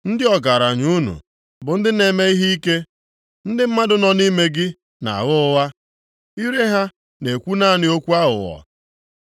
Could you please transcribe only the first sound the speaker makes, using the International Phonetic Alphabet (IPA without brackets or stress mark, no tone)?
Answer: n̩